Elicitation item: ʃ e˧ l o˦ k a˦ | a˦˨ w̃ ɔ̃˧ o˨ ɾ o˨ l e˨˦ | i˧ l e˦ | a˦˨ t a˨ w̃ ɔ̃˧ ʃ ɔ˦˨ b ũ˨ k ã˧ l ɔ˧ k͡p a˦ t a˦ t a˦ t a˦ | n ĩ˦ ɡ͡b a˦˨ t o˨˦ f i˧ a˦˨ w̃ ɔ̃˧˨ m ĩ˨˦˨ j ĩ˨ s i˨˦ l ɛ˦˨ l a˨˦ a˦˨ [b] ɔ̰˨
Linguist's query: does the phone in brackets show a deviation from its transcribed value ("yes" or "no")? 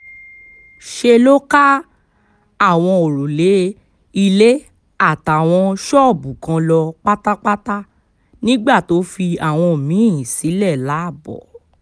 no